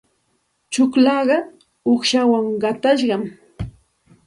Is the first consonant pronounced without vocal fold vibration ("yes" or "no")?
yes